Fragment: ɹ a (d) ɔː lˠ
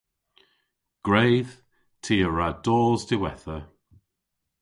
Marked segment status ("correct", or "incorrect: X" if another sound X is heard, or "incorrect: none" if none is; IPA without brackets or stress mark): correct